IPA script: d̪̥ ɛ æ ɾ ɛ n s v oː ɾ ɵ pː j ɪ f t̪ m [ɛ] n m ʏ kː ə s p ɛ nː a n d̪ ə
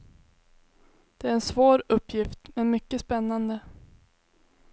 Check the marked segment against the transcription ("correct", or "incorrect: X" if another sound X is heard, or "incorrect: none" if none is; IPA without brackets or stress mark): correct